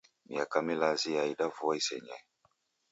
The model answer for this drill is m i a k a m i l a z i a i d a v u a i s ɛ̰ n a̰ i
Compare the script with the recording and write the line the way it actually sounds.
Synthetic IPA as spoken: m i a k a m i l a z i a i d a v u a i s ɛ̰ ɲ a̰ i